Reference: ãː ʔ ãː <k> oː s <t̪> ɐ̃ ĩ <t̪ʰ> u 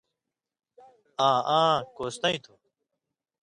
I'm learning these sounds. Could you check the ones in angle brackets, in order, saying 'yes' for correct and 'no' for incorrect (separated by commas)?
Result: yes, yes, yes